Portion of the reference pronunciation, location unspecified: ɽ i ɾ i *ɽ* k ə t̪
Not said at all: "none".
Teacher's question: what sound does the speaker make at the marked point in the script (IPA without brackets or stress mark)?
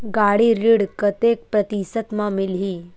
ɽ